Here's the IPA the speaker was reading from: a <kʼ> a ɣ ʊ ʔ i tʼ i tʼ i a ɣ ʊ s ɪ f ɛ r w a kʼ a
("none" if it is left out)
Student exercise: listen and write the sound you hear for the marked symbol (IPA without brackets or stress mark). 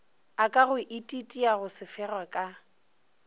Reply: kʼ